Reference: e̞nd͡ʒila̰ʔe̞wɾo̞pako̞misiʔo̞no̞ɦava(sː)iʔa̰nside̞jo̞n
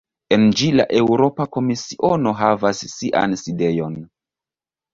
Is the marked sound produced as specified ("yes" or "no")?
yes